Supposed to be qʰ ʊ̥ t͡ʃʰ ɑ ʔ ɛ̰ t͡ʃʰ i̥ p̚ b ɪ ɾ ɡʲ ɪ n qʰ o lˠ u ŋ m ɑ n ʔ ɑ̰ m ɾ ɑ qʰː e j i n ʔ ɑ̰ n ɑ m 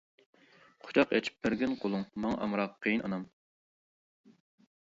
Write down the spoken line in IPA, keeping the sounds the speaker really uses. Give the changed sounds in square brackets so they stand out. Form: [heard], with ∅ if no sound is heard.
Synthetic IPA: qʰ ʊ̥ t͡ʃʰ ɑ [q] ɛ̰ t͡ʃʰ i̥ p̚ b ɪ ɾ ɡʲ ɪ n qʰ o lˠ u ŋ m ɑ [ŋ] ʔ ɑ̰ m ɾ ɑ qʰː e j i n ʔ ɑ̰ n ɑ m